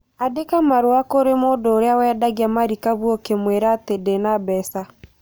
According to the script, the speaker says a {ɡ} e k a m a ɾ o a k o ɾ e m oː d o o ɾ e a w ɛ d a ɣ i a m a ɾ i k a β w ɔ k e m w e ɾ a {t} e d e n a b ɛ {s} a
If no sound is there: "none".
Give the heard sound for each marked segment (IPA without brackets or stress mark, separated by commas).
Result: d, t, s